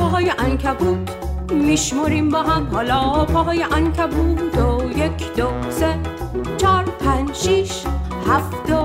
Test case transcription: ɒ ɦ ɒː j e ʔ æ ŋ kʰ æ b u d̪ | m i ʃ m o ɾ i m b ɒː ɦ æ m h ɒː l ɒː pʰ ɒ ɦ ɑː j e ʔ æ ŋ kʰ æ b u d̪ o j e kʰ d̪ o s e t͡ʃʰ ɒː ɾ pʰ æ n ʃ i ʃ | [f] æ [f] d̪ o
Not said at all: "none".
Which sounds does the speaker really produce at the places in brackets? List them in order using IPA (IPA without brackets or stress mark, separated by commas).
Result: h, f